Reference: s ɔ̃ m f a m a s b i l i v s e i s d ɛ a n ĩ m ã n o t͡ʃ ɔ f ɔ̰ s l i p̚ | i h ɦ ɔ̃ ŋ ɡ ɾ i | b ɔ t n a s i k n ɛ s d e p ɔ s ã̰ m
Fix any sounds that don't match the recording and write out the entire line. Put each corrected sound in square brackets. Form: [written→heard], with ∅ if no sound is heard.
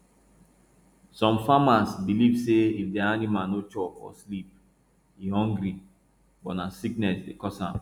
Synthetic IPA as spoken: s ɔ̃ m f a m a s b i l i v s e i [s→f] d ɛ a n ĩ m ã n o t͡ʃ ɔ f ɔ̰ s l i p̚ | i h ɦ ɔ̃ ŋ ɡ ɾ i | b ɔ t n a s i k n ɛ s d e [p→k] ɔ s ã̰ m